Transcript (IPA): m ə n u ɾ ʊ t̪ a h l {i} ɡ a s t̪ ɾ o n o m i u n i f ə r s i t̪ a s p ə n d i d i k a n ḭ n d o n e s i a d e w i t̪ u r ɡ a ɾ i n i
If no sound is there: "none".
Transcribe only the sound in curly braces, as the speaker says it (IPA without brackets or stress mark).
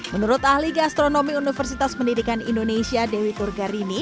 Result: i